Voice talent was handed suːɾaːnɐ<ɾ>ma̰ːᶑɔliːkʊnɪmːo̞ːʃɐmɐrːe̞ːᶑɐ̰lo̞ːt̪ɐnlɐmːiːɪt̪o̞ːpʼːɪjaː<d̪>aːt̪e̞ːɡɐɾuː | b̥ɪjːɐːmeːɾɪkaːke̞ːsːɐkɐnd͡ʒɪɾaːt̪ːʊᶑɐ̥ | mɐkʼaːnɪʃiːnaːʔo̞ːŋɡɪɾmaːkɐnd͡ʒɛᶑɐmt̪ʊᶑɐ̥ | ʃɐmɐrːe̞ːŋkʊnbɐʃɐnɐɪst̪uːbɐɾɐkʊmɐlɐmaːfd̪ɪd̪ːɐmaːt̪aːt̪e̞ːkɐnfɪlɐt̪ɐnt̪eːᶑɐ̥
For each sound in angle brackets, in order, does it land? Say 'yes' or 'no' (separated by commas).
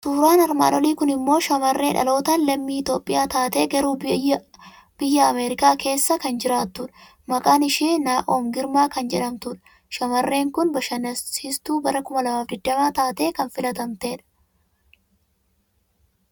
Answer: yes, no